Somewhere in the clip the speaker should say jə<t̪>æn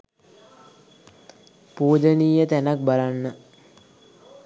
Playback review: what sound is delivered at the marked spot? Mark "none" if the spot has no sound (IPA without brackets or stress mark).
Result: t̪